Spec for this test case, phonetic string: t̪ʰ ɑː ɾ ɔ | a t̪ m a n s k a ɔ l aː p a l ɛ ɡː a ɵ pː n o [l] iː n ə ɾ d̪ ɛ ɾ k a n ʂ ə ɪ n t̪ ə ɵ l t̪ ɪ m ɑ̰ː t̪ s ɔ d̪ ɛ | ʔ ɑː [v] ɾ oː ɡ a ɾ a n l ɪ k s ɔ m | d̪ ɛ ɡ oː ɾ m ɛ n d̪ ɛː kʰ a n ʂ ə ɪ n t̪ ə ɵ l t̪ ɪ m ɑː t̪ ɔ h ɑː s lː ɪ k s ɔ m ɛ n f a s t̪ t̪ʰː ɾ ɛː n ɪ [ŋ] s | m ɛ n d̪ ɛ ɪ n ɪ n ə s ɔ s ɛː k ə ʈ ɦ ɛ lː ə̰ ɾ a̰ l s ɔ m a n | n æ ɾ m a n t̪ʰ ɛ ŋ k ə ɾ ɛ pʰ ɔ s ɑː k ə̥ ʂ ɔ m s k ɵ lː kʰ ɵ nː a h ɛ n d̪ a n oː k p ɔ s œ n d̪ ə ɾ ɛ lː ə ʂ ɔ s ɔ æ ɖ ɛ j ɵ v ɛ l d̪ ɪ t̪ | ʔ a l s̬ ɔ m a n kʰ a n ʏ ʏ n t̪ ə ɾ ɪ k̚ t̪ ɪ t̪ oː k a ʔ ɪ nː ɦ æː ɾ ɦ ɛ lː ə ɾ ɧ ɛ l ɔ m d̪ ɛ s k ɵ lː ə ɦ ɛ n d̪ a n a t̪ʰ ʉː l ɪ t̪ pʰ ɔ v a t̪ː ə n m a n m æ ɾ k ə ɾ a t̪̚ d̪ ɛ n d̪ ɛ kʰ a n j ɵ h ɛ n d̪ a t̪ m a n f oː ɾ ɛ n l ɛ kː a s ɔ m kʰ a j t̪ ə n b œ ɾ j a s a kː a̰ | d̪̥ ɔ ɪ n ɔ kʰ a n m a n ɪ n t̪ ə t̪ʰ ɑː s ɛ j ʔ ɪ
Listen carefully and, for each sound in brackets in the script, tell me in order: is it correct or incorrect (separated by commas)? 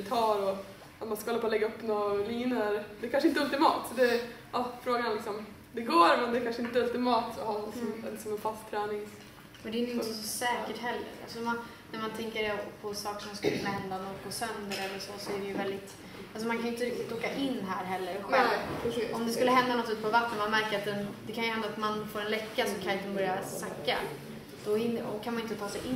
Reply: correct, incorrect, correct